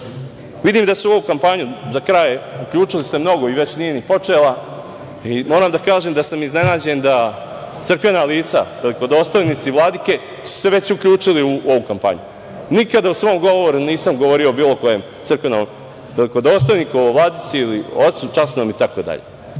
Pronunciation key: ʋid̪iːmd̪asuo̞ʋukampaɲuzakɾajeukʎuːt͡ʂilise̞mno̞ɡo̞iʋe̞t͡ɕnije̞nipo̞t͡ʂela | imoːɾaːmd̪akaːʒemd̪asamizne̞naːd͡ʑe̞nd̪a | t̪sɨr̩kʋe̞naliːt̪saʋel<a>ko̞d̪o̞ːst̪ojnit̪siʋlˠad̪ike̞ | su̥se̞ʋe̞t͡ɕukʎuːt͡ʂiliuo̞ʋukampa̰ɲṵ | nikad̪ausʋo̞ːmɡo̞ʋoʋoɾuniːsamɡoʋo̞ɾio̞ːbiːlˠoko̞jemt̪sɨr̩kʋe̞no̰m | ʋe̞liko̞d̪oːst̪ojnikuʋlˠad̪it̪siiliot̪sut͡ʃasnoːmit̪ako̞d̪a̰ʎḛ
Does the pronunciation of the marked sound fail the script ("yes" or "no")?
yes